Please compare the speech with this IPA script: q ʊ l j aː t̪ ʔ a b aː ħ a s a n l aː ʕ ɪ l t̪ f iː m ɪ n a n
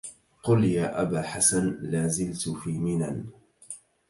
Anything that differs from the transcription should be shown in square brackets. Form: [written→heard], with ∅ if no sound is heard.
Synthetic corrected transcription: q ʊ l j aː [t̪→∅] ʔ a b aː ħ a s a n l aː [ʕ→z] ɪ l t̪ f iː m ɪ n a n